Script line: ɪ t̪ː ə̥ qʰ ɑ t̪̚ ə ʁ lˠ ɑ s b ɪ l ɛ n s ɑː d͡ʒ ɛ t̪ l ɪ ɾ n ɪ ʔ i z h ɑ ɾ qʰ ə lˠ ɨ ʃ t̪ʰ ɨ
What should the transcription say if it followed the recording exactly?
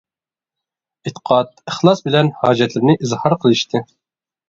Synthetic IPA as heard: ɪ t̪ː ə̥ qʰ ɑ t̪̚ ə χ lˠ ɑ s b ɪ l ɛ n h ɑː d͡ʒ ɛ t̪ l ɪ ɾ n ɪ ʔ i z h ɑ ɾ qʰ ə lˠ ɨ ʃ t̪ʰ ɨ